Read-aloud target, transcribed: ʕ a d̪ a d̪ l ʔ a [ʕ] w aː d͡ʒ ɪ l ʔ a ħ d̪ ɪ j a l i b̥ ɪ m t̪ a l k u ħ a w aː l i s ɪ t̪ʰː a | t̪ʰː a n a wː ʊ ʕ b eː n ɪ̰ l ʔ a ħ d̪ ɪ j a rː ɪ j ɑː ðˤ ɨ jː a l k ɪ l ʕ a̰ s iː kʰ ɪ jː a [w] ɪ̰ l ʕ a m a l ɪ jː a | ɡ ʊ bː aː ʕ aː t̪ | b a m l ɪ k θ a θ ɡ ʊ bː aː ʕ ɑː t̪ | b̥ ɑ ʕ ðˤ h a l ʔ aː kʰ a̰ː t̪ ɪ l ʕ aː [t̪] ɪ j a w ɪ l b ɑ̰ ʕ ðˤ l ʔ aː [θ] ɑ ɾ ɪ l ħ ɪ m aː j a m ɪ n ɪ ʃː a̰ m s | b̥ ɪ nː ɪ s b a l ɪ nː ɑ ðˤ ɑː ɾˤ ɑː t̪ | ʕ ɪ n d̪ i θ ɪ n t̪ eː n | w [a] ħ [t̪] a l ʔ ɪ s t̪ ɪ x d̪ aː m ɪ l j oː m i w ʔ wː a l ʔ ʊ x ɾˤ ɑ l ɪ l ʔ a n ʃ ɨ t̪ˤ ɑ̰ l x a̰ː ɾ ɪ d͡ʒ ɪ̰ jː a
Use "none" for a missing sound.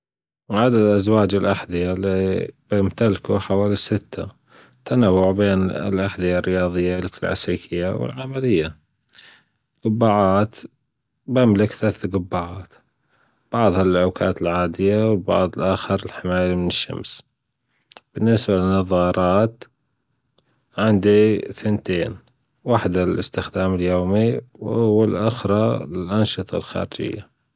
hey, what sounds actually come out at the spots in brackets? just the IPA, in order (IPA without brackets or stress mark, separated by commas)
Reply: z, w, d̪, x, a, d̪